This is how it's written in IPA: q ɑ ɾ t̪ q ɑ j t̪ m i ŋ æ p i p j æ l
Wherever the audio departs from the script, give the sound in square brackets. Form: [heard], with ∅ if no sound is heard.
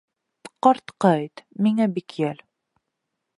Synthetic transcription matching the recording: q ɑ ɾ t̪ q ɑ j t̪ m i ŋ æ [b] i [k] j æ l